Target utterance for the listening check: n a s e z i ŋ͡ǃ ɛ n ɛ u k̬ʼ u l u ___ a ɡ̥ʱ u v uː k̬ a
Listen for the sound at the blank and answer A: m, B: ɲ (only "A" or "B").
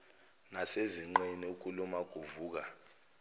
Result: A